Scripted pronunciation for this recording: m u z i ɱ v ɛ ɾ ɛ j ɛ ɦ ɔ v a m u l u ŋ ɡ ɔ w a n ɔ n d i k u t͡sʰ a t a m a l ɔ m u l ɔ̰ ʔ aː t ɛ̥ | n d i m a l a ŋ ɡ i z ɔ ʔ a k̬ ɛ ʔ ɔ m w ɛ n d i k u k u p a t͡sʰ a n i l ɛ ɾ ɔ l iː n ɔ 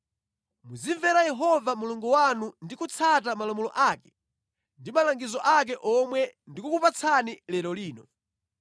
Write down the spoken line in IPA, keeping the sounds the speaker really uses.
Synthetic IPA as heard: m u z i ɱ v ɛ ɾ a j ɛ ɦ ɔ v a m u l u ŋ ɡ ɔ w a n u n d i k u t͡sʰ a t a m a l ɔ m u l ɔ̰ ʔ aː k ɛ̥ | n d i m a l a ŋ ɡ i z ɔ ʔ a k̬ ɛ ʔ ɔ m w ɛ n d i k u k u p a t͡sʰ a n i l ɛ ɾ ɔ l iː n ɔ